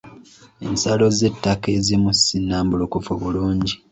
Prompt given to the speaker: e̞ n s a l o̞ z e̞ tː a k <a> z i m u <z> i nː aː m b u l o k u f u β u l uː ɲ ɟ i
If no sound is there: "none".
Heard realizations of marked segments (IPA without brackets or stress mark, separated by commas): e, s